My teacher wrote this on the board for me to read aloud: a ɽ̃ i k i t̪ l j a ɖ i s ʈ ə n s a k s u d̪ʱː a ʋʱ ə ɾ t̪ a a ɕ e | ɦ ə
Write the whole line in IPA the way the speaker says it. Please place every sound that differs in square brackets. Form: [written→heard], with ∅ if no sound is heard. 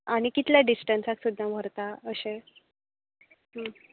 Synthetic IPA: a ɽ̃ i k i t̪ l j a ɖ i s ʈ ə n s a k s u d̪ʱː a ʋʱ ə ɾ t̪ a [a→ə] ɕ e | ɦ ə